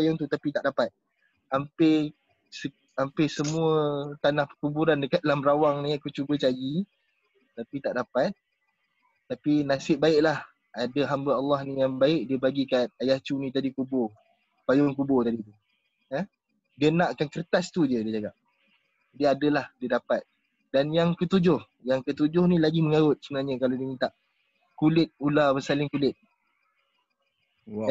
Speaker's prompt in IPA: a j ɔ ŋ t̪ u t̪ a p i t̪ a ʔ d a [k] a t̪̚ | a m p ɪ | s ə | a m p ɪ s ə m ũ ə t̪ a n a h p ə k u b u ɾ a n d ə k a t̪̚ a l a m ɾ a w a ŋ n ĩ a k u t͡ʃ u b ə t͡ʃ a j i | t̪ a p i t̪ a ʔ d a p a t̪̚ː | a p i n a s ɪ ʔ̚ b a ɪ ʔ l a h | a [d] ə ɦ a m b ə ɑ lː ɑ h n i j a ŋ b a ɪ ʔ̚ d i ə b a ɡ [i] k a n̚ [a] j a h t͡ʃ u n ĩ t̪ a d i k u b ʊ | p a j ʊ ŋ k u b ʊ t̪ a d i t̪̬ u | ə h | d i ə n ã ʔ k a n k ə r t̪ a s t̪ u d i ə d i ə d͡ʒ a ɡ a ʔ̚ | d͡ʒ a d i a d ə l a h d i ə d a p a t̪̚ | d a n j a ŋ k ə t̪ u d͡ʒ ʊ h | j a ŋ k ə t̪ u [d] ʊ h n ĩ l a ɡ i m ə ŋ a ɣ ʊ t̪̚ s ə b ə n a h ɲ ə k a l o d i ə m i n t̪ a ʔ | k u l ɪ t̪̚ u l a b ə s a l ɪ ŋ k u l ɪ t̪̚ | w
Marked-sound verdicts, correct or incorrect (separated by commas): incorrect, correct, correct, correct, incorrect